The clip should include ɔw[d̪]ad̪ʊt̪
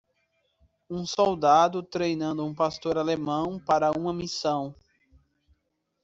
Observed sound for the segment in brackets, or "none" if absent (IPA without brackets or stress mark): d̪